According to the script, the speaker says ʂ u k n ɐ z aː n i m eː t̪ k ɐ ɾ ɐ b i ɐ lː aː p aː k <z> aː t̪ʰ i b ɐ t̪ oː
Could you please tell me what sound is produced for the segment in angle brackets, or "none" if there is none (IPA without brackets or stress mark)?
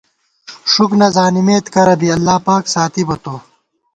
s